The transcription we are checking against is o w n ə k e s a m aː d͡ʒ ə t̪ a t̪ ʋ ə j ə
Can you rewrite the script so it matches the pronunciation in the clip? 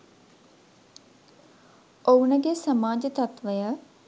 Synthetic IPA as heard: o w n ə ɡ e s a m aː d͡ʒ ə t̪ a t̪ ʋ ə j ə